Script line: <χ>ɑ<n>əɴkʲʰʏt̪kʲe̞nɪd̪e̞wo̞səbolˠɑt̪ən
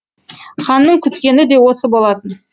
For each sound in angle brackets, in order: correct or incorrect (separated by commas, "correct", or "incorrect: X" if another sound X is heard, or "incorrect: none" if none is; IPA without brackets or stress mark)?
correct, incorrect: nː